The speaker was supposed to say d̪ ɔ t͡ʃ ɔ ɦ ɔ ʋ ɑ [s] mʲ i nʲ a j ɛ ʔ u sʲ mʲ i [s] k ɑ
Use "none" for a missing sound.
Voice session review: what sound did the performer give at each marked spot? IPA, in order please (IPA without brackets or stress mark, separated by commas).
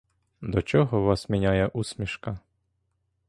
s, ʃ